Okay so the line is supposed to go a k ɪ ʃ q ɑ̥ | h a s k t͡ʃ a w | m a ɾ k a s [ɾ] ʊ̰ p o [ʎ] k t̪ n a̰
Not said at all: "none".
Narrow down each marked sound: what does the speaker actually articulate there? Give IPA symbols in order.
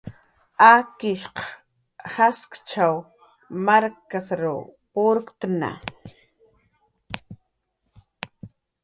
ɾ, ɾ

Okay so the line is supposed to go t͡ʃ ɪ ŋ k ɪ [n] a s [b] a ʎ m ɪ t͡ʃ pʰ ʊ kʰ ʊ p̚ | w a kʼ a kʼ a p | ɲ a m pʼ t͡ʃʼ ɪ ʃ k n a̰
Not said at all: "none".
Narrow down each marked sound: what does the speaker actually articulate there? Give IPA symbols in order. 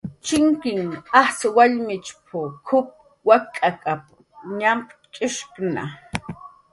ŋ, w

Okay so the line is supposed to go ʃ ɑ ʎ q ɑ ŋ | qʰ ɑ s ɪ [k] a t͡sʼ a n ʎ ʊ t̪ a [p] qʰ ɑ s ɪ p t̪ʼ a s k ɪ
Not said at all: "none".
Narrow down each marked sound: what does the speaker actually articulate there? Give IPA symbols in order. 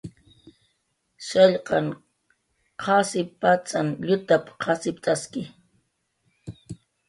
p, p

